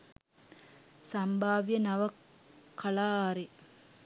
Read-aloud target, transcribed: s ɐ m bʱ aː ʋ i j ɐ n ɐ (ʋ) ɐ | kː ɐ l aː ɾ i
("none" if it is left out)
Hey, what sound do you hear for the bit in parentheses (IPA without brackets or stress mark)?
ʋ